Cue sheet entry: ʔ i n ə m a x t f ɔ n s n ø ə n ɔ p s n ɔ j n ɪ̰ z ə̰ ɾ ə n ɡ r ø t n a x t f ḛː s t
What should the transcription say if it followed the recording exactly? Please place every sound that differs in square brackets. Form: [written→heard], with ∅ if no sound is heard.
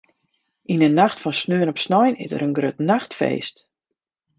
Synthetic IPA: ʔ i n ə [m→n] a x t f ɔ n s n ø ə n ɔ p s n ɔ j n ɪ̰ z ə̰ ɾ ə n ɡ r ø t n a x t f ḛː s t